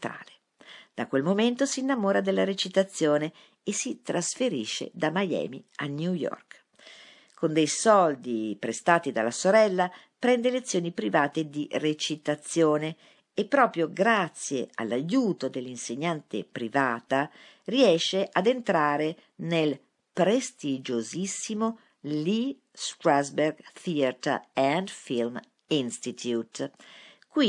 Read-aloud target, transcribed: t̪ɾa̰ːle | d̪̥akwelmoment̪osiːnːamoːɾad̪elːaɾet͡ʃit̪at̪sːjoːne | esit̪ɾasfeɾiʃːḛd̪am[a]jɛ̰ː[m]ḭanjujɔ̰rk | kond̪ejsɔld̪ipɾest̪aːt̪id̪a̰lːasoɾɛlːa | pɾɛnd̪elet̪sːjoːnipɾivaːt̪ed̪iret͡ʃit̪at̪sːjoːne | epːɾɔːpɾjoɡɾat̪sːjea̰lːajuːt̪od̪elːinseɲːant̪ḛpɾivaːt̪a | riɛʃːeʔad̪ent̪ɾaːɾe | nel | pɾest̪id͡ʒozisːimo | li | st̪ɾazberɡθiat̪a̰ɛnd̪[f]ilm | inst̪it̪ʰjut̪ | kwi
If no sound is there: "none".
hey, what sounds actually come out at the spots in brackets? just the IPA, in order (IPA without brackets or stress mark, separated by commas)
a, m, f